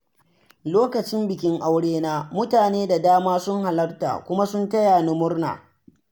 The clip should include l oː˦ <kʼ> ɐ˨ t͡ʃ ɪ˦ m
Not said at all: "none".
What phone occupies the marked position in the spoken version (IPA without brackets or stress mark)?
k